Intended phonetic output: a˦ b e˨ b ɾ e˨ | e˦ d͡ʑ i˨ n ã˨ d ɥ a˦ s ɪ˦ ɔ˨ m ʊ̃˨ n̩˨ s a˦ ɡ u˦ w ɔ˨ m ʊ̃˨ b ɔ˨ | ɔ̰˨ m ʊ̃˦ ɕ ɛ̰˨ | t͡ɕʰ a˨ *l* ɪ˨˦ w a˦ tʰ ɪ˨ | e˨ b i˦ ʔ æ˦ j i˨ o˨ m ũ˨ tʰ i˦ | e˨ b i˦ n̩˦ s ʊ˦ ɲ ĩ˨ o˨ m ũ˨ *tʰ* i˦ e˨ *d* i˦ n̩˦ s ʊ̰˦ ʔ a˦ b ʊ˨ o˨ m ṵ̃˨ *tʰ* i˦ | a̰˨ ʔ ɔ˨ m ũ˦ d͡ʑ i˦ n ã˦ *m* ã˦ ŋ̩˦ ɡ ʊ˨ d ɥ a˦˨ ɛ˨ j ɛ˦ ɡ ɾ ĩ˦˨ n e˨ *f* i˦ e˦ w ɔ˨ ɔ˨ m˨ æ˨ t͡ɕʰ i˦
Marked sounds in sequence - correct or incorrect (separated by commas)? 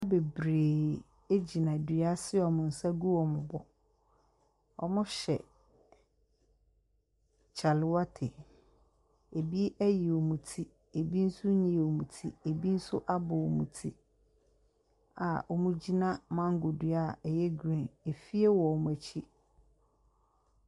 correct, correct, incorrect, correct, correct, correct